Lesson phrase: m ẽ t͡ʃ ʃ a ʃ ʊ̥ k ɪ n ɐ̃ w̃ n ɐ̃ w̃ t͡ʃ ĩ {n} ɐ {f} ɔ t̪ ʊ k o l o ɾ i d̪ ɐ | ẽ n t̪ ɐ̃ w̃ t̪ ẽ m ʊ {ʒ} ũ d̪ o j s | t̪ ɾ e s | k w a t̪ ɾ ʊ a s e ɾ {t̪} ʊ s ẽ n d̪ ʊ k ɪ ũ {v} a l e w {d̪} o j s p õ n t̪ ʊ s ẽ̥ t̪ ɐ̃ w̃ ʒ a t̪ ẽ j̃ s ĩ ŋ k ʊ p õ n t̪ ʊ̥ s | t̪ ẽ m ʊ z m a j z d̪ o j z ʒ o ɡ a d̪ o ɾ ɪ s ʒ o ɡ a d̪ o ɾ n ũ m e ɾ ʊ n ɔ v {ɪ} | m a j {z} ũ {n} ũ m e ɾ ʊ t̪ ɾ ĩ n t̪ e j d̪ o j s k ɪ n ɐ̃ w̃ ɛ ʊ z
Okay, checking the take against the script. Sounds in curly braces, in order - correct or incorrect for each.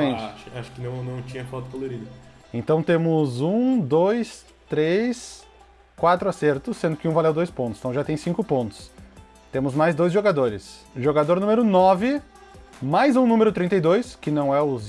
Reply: incorrect: ɲ, correct, incorrect: z, correct, correct, correct, correct, correct, correct

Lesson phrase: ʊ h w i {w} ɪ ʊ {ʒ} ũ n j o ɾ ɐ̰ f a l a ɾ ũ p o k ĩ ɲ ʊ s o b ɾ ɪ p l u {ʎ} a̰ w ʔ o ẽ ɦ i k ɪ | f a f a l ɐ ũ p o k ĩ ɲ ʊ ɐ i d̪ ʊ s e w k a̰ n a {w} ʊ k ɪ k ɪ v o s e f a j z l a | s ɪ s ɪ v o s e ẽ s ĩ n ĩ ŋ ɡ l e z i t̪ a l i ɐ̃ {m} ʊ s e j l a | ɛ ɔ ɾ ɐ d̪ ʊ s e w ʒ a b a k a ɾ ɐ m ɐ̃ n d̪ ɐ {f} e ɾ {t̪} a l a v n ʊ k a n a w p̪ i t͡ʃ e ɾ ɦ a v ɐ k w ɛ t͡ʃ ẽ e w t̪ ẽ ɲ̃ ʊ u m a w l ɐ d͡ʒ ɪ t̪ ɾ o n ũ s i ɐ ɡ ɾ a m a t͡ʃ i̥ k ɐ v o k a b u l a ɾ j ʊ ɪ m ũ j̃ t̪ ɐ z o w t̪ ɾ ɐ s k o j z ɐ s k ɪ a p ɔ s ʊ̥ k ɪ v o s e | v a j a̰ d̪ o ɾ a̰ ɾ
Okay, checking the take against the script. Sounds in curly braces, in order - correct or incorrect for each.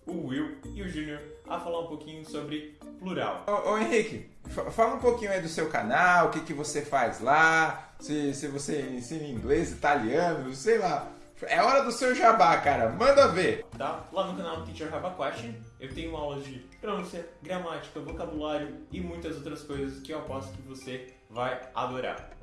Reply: correct, correct, incorrect: ɾ, correct, incorrect: n, incorrect: v, correct

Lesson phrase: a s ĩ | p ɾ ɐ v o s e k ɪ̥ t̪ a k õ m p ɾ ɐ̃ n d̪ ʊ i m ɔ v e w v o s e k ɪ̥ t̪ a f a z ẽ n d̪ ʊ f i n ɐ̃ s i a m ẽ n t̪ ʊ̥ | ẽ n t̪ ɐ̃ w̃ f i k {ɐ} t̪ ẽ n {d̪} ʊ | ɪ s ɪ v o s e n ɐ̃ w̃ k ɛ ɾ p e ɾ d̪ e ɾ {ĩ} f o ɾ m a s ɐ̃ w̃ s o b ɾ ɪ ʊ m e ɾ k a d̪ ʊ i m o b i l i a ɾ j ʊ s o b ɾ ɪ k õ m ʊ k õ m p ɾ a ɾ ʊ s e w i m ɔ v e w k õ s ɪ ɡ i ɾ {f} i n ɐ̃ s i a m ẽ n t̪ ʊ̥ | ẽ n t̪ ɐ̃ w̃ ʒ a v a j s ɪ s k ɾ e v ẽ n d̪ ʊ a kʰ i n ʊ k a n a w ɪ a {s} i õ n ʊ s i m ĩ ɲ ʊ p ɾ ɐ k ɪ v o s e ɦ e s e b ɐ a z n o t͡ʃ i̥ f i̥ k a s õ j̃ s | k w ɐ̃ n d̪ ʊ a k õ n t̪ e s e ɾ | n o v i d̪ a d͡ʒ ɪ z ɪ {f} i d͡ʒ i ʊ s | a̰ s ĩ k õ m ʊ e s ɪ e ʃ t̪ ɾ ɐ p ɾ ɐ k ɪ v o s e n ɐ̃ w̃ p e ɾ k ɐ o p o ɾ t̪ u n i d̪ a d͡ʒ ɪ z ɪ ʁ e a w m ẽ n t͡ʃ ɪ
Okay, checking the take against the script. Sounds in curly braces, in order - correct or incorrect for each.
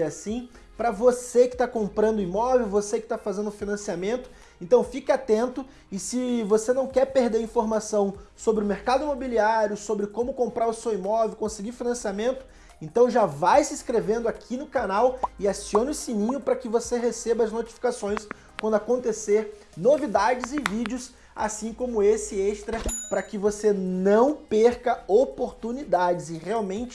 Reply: incorrect: a, incorrect: t̪, correct, correct, correct, incorrect: v

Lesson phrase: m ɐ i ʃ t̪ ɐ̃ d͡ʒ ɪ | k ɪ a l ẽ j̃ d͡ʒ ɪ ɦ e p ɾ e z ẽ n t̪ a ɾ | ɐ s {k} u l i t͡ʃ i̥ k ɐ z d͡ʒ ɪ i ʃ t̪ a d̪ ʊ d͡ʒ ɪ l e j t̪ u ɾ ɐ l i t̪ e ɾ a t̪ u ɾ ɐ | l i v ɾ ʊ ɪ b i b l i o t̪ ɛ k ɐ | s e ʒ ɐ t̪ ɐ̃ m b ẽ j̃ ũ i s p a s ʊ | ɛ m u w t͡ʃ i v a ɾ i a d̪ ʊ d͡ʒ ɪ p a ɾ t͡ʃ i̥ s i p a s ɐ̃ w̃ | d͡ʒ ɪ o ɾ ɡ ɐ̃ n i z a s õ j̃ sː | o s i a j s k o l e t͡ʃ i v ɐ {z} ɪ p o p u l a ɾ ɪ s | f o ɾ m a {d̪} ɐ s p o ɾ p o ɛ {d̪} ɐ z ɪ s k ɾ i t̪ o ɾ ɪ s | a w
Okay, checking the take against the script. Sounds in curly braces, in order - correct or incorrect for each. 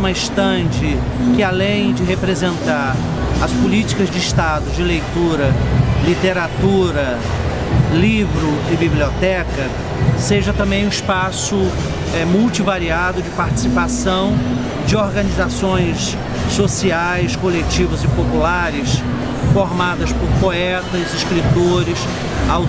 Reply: incorrect: p, correct, correct, incorrect: t̪

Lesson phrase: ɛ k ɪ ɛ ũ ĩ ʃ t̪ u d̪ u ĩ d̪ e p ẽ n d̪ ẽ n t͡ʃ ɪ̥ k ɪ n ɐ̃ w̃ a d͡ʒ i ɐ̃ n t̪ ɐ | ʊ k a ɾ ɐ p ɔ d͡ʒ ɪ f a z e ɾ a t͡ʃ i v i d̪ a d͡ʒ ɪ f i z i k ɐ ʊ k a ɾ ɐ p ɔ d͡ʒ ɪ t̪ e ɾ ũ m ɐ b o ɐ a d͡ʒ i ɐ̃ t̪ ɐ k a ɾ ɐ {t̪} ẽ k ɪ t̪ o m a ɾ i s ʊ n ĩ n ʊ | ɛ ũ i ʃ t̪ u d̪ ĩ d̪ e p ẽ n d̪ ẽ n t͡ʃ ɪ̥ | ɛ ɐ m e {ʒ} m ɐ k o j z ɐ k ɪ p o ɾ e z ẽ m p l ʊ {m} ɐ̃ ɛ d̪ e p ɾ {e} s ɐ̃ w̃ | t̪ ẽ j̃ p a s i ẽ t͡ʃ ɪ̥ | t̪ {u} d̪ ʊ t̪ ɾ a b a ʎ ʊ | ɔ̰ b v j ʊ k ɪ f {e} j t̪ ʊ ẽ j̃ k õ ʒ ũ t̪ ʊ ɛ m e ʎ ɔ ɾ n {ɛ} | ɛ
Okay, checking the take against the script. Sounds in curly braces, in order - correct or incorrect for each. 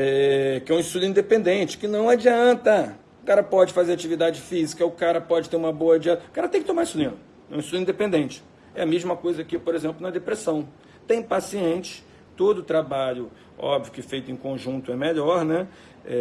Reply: correct, correct, incorrect: n, correct, incorrect: o, correct, correct

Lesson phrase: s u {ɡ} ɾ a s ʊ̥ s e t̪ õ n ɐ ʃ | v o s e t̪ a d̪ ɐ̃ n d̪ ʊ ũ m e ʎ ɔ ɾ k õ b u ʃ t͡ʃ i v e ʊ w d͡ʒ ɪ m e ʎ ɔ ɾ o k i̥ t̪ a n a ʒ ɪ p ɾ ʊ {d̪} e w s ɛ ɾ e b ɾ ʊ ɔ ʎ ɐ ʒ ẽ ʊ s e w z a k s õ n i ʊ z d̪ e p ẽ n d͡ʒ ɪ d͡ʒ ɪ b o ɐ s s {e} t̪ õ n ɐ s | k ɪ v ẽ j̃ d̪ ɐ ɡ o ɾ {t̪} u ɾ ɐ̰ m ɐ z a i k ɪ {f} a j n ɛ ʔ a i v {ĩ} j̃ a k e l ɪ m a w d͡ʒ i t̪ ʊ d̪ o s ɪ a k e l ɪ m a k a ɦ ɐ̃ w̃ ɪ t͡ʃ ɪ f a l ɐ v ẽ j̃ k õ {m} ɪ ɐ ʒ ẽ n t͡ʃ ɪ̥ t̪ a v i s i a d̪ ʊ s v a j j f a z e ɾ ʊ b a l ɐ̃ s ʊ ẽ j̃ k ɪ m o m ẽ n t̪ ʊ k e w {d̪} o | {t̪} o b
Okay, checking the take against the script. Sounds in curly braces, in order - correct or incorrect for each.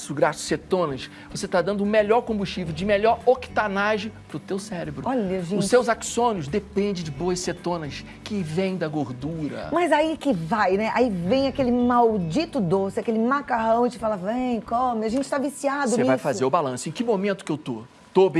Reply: correct, incorrect: t̪, correct, incorrect: d̪, incorrect: v, incorrect: ẽ, correct, incorrect: t̪, correct

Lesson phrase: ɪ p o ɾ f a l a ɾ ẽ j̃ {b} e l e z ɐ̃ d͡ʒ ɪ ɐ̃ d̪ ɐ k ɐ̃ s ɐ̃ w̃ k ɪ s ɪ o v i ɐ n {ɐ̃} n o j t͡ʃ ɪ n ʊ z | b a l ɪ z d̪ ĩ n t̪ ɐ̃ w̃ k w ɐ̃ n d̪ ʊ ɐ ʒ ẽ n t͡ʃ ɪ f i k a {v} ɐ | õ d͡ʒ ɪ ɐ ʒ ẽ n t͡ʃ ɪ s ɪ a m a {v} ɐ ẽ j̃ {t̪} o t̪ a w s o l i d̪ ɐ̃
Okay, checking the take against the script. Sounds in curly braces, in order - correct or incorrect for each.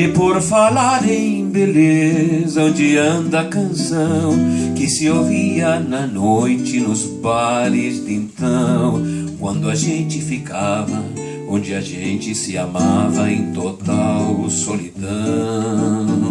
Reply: correct, incorrect: ɐ, correct, correct, correct

